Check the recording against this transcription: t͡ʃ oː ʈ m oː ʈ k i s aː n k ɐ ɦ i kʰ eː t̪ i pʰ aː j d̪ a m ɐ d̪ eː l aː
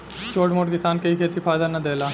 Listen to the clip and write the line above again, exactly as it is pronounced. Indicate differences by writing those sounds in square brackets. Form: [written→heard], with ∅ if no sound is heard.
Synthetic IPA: t͡ʃ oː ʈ m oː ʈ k [i→ɪ] s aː n k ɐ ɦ i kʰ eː t̪ i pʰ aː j d̪ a [m→n] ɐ d̪ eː l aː